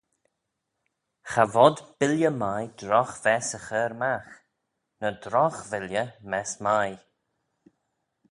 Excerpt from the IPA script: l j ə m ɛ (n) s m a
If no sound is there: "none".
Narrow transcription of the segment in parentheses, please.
none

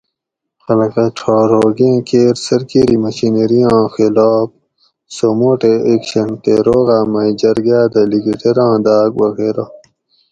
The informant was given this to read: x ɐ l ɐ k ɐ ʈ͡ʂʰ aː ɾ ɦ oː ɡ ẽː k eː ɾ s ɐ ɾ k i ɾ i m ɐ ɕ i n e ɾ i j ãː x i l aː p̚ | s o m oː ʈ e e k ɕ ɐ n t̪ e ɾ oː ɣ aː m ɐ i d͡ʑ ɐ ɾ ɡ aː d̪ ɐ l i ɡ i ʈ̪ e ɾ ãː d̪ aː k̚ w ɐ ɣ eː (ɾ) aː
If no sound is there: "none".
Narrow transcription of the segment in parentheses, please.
ɾ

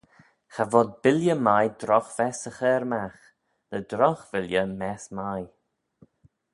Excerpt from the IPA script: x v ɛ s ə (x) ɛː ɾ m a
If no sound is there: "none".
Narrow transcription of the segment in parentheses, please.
x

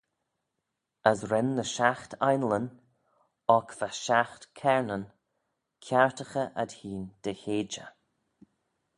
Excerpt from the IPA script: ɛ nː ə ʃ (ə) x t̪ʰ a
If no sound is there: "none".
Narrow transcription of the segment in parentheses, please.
a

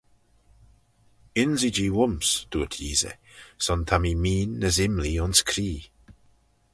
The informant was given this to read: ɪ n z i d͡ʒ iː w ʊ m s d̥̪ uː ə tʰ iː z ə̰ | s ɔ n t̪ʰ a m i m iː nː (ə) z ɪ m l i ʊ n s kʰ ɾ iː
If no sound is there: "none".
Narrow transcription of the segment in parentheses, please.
ə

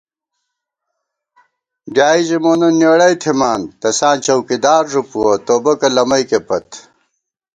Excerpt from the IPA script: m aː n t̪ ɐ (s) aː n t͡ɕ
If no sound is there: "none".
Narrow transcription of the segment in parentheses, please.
s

